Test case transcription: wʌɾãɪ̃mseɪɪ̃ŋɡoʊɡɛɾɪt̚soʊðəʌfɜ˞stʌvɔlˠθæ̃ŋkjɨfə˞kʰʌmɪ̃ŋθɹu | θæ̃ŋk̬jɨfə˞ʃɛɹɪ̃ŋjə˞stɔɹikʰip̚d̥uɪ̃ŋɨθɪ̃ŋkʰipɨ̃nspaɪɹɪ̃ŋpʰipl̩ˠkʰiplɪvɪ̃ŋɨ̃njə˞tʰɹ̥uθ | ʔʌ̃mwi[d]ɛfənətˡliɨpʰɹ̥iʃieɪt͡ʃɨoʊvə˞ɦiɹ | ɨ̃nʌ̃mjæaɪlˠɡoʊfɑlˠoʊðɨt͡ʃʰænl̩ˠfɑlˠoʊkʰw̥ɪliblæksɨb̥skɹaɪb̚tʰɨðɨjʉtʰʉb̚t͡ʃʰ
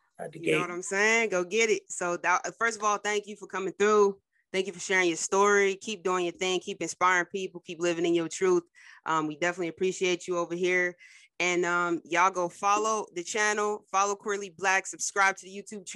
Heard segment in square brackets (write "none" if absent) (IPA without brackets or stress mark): d